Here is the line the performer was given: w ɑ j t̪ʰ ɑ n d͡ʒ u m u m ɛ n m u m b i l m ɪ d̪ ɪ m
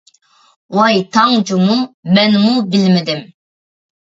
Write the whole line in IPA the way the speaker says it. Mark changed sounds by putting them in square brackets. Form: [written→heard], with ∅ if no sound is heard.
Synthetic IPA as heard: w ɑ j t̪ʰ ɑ [n→ŋ] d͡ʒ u m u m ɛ n m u [m→∅] b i l m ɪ d̪ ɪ m